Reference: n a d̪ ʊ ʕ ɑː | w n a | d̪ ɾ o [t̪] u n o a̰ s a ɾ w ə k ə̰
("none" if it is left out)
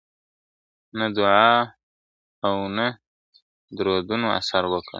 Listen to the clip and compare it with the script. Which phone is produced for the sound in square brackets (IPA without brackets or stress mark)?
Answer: d̪